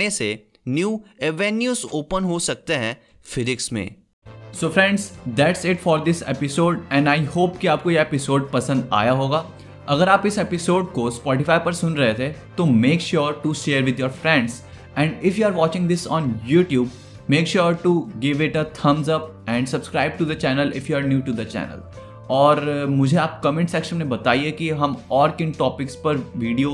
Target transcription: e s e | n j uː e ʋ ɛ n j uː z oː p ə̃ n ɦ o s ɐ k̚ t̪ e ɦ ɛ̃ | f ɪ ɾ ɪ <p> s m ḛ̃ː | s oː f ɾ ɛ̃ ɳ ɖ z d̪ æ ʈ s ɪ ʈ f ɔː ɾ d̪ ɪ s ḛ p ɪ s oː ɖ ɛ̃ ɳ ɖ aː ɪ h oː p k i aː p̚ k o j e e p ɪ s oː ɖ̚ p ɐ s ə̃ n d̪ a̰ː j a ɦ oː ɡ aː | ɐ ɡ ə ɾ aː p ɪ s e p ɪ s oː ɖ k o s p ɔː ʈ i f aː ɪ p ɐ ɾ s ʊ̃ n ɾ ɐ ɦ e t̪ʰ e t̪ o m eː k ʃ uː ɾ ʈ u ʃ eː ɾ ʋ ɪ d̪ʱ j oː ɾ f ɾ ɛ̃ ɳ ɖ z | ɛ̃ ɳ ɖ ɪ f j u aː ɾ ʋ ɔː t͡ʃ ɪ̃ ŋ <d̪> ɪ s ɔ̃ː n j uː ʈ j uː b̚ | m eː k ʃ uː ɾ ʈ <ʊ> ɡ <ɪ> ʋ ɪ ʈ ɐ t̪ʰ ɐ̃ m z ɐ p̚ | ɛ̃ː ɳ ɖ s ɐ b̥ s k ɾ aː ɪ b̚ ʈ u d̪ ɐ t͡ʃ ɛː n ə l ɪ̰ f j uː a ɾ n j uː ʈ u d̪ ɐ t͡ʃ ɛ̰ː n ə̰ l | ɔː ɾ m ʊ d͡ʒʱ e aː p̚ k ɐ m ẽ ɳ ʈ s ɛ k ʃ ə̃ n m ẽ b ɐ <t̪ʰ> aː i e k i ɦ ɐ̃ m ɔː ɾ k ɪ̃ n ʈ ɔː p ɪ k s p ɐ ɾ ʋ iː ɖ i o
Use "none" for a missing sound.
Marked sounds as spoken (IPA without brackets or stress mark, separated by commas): k, d̪, u, ɪ, t̪